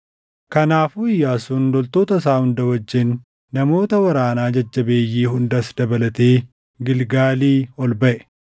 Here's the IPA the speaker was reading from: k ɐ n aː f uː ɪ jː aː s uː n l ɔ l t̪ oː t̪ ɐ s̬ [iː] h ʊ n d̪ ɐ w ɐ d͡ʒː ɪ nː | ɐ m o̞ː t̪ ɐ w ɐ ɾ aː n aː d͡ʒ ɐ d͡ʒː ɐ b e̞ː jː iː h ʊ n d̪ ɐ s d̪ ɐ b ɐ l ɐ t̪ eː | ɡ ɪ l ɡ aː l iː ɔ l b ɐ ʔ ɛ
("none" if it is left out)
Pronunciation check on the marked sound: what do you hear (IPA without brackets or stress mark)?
aː